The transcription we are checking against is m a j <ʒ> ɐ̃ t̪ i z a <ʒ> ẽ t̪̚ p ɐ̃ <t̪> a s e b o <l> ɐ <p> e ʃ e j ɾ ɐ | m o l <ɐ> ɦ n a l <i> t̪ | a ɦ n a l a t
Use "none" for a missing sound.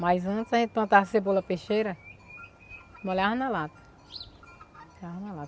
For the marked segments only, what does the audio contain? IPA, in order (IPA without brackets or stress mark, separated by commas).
z, ʒ, t̪, l, p, a, a